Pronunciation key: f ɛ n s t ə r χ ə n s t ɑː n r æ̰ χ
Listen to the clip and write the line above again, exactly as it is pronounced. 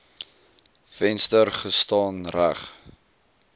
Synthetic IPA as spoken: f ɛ n s t ə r χ ə s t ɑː n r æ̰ χ